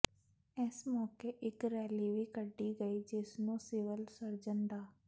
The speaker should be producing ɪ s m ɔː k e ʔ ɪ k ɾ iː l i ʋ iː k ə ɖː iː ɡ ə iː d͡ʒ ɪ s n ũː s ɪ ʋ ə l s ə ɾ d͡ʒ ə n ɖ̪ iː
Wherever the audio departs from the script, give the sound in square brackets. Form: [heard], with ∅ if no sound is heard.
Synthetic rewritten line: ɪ s m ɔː k e ʔ ɪ k ɾ [ɛː] l i ʋ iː k ə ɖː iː ɡ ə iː d͡ʒ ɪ s n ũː s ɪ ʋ ə l s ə ɾ d͡ʒ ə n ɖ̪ [aː]